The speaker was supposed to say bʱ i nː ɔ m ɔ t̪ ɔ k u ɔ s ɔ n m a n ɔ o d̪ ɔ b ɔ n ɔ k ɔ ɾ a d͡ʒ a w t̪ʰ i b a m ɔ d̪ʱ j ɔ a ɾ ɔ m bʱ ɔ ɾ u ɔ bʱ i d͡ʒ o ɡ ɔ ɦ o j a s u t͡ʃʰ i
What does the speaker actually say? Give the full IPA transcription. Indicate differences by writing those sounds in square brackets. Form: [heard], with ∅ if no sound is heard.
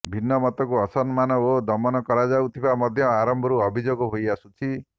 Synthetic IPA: bʱ i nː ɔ m ɔ t̪ ɔ k u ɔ s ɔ n m a n ɔ o d̪ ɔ [m] ɔ n ɔ k ɔ ɾ a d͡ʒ a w t̪ʰ i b a m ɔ d̪ʱ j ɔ a ɾ ɔ m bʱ ɔ ɾ u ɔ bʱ i d͡ʒ o ɡ ɔ ɦ o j a s u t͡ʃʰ i